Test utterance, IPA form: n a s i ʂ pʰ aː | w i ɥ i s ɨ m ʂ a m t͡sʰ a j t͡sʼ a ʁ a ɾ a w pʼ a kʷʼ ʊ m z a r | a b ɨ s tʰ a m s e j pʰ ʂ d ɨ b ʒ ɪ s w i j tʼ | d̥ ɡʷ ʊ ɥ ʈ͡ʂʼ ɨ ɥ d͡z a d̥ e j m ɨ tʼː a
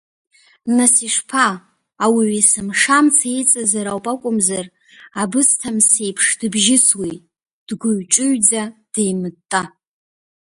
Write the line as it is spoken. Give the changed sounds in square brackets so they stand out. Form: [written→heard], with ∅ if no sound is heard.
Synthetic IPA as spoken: n a s i ʂ pʰ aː | w i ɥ i s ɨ m ʂ a m t͡sʰ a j t͡sʼ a [ʁ→z] a ɾ a w pʼ a kʷʼ ʊ m z a r | a b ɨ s tʰ a m s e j pʰ ʂ d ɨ b ʒ ɪ s w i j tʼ | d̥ ɡʷ ʊ ɥ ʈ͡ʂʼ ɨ ɥ d͡z a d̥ e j m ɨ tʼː a